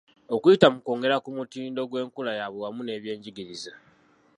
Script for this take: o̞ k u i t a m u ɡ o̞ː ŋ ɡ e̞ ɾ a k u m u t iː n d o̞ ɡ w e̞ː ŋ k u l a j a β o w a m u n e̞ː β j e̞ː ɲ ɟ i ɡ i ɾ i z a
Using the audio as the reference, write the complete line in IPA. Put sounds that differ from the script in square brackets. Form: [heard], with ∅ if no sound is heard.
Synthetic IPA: o̞ k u i t a m u [k] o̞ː ŋ ɡ e̞ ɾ a k u m u t iː n d o̞ ɡ w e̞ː ŋ k u l a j a β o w a m u n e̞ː β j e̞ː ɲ ɟ i ɡ i ɾ i z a